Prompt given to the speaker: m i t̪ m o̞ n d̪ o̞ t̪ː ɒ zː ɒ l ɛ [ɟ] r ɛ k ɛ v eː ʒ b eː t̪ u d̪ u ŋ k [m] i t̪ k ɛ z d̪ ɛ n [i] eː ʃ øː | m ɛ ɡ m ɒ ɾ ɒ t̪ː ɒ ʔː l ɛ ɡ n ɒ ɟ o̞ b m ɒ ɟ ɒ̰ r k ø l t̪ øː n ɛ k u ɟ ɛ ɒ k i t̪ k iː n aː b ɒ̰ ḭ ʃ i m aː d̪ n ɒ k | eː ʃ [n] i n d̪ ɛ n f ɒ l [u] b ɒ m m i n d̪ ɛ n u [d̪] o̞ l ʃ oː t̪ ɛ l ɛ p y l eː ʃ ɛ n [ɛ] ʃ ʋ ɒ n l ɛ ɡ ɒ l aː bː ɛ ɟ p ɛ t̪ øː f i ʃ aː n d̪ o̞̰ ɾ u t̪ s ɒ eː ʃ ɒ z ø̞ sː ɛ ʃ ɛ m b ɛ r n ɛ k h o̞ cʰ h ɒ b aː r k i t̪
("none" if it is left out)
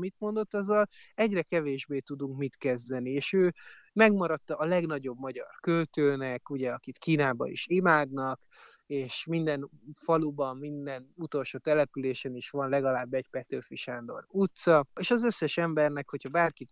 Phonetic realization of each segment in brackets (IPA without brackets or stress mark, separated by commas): ɟ, m, i, m, u, t̪, i